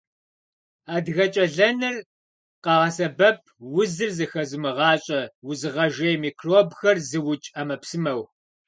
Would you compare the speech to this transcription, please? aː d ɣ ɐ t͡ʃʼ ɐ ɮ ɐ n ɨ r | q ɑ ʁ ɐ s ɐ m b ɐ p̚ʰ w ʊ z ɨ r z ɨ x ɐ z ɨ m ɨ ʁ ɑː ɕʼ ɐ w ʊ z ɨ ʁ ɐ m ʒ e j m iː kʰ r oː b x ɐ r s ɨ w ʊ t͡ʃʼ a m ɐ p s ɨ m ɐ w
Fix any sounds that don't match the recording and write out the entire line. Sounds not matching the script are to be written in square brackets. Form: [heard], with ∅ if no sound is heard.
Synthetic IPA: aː d ɣ ɐ t͡ʃʼ ɐ ɮ ɐ n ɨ r | q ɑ ʁ ɐ s ɐ [∅] b ɐ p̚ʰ w ʊ z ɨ r z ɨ x ɐ z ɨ m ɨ ʁ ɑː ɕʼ ɐ w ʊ z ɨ ʁ ɐ [∅] ʒ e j m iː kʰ r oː b x ɐ r [z] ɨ w ʊ t͡ʃʼ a m ɐ p s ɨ m ɐ w

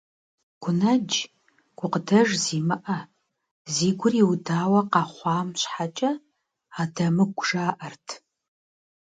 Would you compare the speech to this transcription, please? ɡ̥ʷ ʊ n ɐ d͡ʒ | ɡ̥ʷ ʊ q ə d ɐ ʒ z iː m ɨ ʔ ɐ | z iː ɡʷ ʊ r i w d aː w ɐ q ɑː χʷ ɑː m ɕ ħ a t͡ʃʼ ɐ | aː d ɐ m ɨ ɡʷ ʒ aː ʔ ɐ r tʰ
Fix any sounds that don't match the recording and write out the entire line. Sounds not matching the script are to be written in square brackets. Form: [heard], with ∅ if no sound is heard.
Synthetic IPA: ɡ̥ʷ ʊ n ɐ d͡ʒ | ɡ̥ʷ ʊ q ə d ɐ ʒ z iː m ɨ ʔ ɐ | z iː ɡʷ ʊ r i w d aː w ɐ q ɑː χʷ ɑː m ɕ ħ a t͡ʃʼ ɐ | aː d ɐ m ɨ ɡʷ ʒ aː ʔ ɐ r tʰ

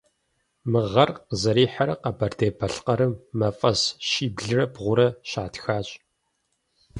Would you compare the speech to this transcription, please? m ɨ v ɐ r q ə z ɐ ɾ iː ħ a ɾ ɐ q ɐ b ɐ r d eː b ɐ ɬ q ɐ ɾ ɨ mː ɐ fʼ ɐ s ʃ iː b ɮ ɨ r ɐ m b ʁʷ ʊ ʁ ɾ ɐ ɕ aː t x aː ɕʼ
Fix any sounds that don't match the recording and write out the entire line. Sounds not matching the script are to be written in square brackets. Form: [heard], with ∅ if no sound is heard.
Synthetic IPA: m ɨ [ʁ] ɐ r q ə z ɐ ɾ iː ħ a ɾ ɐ q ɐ b ɐ r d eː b ɐ ɬ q ɐ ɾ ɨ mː ɐ fʼ ɐ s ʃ iː b ɮ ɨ r ɐ [∅] b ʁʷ ʊ [∅] ɾ ɐ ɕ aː t x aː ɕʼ

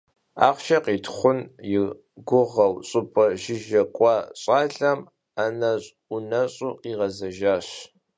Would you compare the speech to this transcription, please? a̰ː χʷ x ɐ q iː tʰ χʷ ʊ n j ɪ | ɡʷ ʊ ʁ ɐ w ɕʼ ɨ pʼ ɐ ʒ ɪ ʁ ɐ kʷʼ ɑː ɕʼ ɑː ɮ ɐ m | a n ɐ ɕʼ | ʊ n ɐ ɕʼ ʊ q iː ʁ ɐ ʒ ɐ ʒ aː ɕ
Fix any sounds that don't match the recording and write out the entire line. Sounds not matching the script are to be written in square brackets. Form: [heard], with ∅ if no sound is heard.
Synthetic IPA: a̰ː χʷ [ʃ] ɐ q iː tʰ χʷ ʊ n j ɪ | ɡʷ ʊ ʁ ɐ w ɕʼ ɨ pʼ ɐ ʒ ɪ [ʒ] ɐ kʷʼ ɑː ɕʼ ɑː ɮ ɐ m | a n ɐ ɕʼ | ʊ n ɐ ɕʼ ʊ q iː ʁ ɐ [z] ɐ ʒ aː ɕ

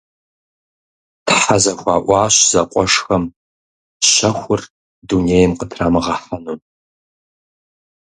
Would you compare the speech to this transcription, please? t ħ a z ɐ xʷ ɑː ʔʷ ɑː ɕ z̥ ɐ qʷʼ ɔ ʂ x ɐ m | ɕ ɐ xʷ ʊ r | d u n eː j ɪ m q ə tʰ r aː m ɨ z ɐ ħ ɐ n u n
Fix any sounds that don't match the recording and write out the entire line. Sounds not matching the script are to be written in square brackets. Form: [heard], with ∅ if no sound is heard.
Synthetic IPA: t ħ a z ɐ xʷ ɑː ʔʷ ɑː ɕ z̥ ɐ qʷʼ ɔ ʂ x ɐ m | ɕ ɐ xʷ ʊ r | d u n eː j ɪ m q ə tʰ r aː m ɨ [ʁ] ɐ ħ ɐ n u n

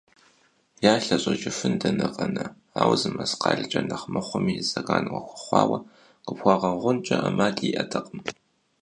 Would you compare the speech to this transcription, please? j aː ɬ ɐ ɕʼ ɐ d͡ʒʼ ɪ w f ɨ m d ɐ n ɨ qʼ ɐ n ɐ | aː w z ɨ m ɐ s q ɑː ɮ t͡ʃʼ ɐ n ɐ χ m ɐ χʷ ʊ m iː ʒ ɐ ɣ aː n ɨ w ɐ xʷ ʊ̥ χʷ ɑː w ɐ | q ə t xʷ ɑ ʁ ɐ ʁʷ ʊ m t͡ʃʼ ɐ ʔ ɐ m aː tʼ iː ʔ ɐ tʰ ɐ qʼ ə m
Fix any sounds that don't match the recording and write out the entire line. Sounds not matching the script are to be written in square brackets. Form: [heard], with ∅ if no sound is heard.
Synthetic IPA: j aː ɬ ɐ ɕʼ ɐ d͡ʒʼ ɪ [∅] f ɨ [n] d ɐ n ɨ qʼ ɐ n ɐ | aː w z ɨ m ɐ s q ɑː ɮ t͡ʃʼ ɐ n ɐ χ m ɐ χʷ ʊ m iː [z] ɐ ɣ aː n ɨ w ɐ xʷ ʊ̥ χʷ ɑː w ɐ | q ə [p] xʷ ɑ ʁ ɐ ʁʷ ʊ [n] t͡ʃʼ ɐ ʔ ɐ m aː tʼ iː ʔ ɐ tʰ ɐ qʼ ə m

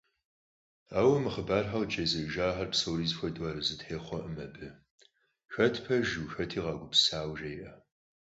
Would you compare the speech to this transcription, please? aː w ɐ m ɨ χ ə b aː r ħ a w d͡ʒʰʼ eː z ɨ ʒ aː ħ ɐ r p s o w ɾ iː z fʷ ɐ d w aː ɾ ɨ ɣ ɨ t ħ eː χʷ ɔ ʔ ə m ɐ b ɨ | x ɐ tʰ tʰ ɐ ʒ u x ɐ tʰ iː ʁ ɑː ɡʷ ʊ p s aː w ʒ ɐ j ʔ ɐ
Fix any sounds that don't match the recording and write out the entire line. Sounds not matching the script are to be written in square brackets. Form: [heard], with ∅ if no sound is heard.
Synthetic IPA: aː w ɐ m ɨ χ ə b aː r ħ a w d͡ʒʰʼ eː z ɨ ʒ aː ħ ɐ r p s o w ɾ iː z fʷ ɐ d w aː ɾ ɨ [z] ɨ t ħ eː χʷ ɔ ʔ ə m ɐ b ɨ | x ɐ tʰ [pʰ] ɐ ʒ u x ɐ tʰ iː ʁ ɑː ɡʷ ʊ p s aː w ʒ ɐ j ʔ ɐ

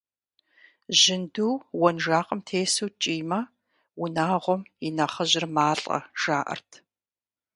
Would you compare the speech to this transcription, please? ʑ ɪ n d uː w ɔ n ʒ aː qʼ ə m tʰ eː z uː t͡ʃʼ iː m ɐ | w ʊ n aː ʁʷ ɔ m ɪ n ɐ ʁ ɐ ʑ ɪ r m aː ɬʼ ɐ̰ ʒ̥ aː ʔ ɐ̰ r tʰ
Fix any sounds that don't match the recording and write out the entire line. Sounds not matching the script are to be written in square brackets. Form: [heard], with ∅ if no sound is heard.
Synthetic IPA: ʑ ɪ n d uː w ɔ n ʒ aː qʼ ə m tʰ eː [s] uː t͡ʃʼ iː m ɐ | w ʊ n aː ʁʷ ɔ m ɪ n ɐ [χ] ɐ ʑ ɪ r m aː ɬʼ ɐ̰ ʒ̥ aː ʔ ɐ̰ r tʰ

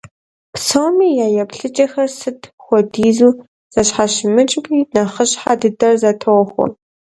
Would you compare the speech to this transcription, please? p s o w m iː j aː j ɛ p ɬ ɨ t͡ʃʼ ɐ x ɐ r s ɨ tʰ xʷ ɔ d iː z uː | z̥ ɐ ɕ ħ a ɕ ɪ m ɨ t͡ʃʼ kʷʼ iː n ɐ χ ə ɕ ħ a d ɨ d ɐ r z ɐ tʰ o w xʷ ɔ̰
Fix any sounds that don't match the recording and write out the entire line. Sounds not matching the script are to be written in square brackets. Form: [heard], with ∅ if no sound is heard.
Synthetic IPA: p s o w m iː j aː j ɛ p ɬ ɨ t͡ʃʼ ɐ x ɐ r s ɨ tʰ xʷ ɔ d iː z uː | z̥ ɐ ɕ ħ a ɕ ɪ m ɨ t͡ʃʼ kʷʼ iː n ɐ χ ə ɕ ħ a d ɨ d ɐ r z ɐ tʰ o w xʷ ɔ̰

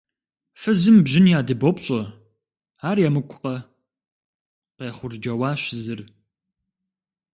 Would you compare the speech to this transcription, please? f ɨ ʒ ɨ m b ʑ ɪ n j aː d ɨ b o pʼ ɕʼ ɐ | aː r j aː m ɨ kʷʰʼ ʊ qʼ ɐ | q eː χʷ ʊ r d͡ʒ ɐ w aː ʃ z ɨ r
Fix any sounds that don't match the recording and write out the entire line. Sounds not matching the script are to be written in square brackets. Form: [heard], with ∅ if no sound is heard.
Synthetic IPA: f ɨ [z] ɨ m b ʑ ɪ n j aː d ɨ b o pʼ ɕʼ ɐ | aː r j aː m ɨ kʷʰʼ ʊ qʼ ɐ | q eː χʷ ʊ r d͡ʒ ɐ w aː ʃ z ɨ r

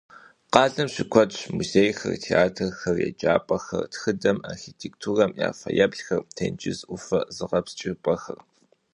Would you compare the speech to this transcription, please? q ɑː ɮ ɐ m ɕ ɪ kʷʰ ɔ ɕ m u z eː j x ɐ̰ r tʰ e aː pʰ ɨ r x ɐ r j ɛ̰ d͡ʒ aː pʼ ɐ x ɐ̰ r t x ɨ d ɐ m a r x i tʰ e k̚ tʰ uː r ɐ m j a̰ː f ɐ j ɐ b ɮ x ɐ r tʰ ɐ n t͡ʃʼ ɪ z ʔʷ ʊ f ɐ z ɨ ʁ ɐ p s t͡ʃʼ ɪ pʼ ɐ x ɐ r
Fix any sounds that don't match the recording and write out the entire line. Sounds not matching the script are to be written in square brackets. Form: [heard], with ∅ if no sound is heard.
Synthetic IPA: q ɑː ɮ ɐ m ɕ ɪ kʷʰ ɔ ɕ m u z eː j x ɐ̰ r tʰ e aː [tʰ] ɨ r x ɐ r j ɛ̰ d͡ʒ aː pʼ ɐ x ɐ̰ r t x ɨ d ɐ m a r x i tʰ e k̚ tʰ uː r ɐ m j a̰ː f ɐ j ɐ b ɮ x ɐ r tʰ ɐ n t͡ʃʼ ɪ z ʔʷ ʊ f ɐ z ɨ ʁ ɐ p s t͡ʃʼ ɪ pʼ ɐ x ɐ r

